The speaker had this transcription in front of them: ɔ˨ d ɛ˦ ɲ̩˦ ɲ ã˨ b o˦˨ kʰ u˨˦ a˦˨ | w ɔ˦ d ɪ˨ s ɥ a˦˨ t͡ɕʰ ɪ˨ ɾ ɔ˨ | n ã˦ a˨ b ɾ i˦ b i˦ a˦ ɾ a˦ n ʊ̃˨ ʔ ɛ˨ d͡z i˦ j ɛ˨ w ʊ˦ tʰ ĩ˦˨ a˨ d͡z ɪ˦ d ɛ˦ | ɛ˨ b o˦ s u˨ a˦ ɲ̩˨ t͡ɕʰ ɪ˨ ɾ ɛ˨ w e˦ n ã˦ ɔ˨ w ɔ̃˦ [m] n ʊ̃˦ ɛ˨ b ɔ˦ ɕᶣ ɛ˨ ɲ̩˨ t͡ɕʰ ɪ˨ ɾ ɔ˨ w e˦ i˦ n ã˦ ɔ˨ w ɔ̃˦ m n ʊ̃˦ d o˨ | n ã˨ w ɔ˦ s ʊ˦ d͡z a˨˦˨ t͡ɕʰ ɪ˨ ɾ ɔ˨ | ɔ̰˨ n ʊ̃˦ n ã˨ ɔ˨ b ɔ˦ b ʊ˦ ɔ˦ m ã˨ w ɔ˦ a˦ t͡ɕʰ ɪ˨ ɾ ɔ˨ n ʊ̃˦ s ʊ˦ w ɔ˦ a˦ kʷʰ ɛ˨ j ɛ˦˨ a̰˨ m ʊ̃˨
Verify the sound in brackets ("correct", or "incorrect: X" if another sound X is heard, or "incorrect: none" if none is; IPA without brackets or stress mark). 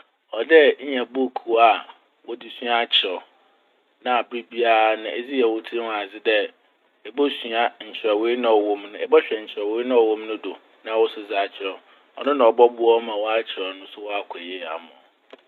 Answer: correct